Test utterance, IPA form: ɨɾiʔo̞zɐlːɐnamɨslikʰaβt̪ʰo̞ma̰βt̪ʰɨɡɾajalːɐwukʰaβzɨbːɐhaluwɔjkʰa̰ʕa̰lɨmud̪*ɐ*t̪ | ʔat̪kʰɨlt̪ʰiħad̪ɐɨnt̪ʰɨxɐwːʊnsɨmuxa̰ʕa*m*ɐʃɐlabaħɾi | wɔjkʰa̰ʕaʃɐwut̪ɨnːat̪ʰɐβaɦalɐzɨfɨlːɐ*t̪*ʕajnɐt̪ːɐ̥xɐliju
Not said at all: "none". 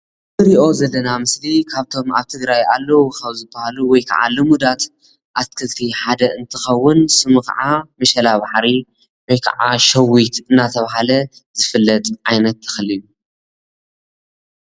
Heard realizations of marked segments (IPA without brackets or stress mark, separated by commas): a, m, t̪ʼ